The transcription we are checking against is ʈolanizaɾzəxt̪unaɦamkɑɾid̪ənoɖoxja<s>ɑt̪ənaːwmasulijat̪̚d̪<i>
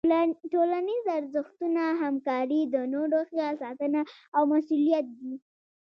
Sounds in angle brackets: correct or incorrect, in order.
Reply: correct, correct

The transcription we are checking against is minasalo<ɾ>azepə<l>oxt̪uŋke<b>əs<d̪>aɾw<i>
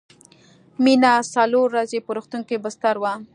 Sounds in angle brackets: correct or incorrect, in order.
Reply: incorrect: ɾː, incorrect: ɾ, correct, incorrect: t̪, incorrect: a

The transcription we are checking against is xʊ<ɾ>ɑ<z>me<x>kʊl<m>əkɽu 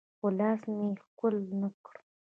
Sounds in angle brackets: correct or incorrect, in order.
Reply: incorrect: l, incorrect: s, correct, incorrect: n

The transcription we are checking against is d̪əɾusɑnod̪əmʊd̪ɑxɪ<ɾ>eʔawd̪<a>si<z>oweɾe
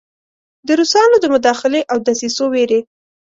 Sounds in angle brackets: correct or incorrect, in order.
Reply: incorrect: l, correct, incorrect: s

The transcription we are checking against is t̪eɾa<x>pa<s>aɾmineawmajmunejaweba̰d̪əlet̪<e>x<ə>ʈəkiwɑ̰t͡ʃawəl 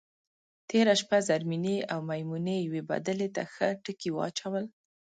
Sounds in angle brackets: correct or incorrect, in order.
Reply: incorrect: ʃ, incorrect: z, incorrect: a, correct

